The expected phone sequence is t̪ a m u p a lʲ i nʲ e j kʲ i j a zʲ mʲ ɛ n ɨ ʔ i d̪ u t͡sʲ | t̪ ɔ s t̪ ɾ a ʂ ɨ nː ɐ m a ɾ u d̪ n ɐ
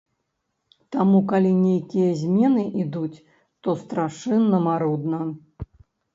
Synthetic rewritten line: t̪ a m u k a lʲ i nʲ e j kʲ i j ɐ zʲ mʲ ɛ n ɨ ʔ i d̪ u t͡sʲ | t̪ ɔ s t̪ ɾ a ʂ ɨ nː ɐ m a ɾ u d̪ n ɐ